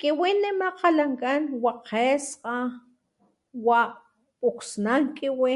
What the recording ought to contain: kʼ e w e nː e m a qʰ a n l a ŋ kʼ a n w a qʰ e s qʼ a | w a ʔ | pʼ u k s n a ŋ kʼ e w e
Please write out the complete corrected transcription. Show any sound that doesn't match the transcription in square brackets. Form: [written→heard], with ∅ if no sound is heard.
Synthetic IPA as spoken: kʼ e w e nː e m a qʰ a [n→∅] l a ŋ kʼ a n w a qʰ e s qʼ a | w a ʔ | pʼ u k s n a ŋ kʼ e w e